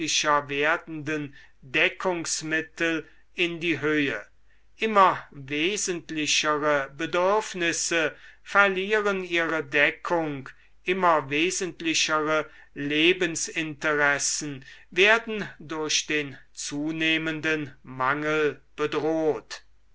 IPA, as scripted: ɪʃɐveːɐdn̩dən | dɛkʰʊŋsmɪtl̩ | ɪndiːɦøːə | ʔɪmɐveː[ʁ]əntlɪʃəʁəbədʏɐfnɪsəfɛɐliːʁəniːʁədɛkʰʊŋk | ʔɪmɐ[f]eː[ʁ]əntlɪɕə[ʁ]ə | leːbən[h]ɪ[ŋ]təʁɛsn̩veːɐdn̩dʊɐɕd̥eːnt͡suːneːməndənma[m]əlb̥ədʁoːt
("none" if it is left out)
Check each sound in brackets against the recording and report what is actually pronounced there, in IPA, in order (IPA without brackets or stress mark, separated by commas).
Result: z, v, z, ʁ, s, n, ŋ